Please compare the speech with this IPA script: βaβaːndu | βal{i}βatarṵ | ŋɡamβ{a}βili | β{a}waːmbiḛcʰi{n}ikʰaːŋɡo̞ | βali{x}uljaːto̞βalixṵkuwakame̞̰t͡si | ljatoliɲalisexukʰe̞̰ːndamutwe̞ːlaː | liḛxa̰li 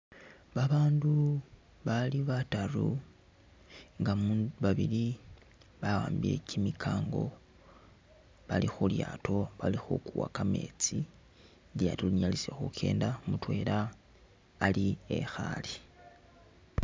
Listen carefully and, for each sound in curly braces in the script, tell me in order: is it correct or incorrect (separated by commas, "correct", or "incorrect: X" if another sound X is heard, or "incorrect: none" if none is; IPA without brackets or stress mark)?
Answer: correct, correct, correct, incorrect: m, correct